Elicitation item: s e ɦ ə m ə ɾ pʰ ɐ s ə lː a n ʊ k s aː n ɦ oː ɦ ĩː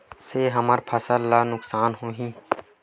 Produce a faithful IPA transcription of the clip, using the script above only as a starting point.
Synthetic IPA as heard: s e ɦ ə m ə ɾ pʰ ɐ s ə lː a n ʊ k s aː n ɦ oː ɦ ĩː

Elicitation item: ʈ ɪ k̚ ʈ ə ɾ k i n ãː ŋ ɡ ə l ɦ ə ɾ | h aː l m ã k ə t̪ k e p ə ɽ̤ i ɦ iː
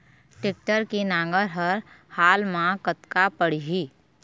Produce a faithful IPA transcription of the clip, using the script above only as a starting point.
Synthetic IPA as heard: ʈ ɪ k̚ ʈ ə ɾ k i n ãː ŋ ɡ ə ɾ ɦ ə ɾ | h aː l m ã k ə t̪ k a p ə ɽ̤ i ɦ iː

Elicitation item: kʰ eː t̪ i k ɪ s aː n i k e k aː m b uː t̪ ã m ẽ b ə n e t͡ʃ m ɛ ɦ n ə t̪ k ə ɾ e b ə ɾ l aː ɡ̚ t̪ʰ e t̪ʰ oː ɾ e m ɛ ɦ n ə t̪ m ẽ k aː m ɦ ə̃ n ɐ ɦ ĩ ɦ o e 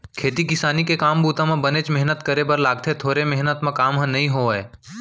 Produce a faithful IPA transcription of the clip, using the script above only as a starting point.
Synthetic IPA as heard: kʰ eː t̪ i k ɪ s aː n i k e k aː m b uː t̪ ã m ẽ b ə n e t͡ʃ m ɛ ɦ n ə t̪ k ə ɾ e b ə ɾ l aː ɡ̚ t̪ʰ e t̪ʰ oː ɾ e m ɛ ɦ n ə t̪ m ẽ k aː m ɦ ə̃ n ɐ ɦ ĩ ɦ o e

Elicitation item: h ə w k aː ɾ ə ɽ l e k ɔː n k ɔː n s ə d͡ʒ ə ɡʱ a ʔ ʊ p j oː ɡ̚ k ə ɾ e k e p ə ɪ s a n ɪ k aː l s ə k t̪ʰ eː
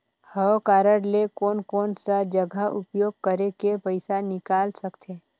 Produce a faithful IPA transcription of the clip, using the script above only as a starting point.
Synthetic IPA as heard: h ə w k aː ɾ ə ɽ l e k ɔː n k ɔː n s a d͡ʒ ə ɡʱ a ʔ ʊ p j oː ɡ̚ k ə ɾ e k e p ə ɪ s a n ɪ k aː l s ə k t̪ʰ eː

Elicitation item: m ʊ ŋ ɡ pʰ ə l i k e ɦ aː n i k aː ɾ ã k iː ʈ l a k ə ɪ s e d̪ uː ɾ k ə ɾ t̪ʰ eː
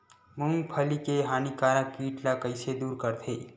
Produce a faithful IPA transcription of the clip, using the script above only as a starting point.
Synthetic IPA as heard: m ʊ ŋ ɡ pʰ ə l i k e ɦ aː n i k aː ɾ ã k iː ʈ l a k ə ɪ s e d̪ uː ɾ k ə ɾ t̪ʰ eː

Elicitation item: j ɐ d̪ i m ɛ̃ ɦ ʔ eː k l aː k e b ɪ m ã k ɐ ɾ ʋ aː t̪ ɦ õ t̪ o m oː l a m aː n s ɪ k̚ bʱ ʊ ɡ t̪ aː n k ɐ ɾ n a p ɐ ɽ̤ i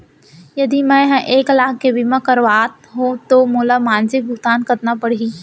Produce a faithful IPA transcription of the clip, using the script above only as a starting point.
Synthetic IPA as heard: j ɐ d̪ i m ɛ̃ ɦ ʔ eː k l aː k e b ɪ m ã k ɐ ɾ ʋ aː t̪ ɦ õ t̪ o m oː l a m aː n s ɪ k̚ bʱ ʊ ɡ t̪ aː n k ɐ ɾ n a p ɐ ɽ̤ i

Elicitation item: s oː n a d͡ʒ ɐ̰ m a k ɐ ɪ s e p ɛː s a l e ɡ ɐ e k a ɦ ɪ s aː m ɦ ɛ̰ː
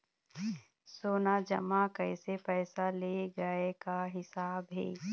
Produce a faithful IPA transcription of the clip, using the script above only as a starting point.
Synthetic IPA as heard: s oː n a d͡ʒ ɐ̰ m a k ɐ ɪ s e p ɛː s a l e ɡ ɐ e k a ɦ ɪ s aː b ɦ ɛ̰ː

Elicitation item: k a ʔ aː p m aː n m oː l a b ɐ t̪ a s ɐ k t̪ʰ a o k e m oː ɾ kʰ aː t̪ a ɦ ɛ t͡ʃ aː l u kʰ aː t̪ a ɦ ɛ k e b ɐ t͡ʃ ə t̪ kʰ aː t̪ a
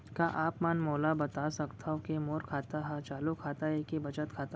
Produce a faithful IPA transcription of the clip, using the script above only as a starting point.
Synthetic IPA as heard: k a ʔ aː p m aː n m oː l a b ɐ t̪ a s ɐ k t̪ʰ a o k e m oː ɾ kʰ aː t̪ a ɦ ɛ t͡ʃ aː l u kʰ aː t̪ a ɦ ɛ k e b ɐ t͡ʃ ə t̪ kʰ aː t̪ a

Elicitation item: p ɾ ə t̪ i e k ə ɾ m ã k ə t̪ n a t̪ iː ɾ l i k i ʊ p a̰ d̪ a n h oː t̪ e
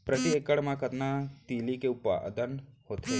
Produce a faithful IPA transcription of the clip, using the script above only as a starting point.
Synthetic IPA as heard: p ɾ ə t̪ i e k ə ɽ m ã k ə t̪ n a t̪ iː l i k e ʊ p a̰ d̪ ə n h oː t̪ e

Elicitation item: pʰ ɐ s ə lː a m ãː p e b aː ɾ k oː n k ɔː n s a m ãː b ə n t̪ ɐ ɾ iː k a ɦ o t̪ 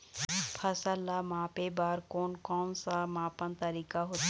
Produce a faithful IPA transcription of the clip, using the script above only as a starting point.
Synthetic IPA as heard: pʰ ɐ s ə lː a m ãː p e b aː ɾ k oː n k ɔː n s a m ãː p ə n t̪ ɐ ɾ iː k a ɦ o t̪

